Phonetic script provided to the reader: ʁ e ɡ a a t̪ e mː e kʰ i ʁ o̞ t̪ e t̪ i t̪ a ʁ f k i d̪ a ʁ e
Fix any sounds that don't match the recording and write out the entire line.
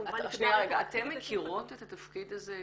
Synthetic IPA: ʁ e ɡ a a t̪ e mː e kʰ i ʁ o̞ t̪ e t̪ a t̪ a f k i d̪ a z e